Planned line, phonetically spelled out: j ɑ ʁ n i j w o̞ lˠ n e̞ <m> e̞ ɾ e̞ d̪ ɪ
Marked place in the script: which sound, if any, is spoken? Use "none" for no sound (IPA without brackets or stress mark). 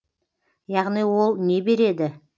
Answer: b